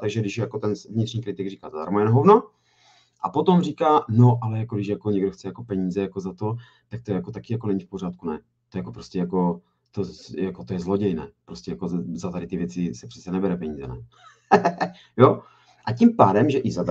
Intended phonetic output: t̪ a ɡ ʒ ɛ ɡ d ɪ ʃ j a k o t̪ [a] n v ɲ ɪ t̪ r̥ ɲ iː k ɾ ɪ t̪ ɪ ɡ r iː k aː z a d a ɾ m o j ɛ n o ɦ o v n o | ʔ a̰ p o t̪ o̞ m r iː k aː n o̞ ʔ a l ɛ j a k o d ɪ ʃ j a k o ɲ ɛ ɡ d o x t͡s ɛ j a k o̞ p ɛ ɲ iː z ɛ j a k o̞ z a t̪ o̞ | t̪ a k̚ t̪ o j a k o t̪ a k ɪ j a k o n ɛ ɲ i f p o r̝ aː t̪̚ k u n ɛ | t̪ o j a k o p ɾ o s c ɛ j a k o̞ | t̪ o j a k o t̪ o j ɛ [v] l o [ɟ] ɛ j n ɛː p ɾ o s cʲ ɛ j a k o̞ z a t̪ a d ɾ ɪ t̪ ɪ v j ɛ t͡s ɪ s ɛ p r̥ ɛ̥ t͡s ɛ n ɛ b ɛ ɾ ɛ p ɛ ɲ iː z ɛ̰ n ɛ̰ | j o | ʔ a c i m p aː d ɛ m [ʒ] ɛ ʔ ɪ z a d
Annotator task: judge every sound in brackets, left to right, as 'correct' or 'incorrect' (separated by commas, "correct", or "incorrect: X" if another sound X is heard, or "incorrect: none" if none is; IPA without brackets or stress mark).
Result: incorrect: ɛ, incorrect: z, correct, correct